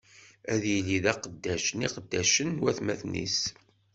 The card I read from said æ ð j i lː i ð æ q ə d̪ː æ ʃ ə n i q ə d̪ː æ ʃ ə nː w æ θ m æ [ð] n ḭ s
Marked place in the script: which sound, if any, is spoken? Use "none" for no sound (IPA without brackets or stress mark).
θ